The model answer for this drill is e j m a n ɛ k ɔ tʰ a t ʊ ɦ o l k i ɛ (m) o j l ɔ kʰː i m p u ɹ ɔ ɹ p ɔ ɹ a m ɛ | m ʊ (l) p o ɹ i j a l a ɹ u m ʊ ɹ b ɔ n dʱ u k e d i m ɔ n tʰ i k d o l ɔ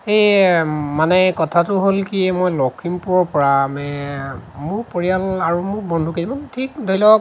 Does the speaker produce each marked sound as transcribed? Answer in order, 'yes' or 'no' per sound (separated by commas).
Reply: yes, no